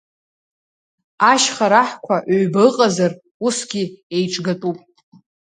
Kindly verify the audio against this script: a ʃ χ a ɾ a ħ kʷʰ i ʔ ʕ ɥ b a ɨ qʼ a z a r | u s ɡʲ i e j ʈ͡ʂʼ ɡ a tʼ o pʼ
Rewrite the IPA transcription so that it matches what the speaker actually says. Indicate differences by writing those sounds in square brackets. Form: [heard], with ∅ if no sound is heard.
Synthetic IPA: a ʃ χ a ɾ a ħ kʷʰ [a] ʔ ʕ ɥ b a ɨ qʼ a z a r | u s ɡʲ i e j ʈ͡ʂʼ ɡ a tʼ [u] pʼ